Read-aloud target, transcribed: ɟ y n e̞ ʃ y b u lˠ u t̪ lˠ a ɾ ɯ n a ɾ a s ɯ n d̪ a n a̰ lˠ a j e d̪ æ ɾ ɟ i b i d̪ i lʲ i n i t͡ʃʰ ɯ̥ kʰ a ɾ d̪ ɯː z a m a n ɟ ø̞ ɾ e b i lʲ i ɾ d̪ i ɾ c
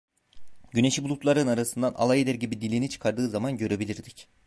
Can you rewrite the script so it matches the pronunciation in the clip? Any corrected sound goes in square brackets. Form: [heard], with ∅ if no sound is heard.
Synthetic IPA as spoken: ɟ y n e̞ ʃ [i] b u lˠ u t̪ lˠ a ɾ ɯ n a ɾ a s ɯ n d̪ a n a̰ lˠ a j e d̪ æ ɾ ɟ i b i d̪ i lʲ i n i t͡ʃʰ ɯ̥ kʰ a ɾ d̪ ɯː z a m a n ɟ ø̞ ɾ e b i lʲ i ɾ d̪ i [∅] c